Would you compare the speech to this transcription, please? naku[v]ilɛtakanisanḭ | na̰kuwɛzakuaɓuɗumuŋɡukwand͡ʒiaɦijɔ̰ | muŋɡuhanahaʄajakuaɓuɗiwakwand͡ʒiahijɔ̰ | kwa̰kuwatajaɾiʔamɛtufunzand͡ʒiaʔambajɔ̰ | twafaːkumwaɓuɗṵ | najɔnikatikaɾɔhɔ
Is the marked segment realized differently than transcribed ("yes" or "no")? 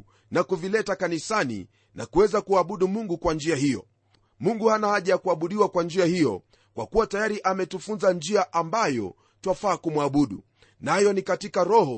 no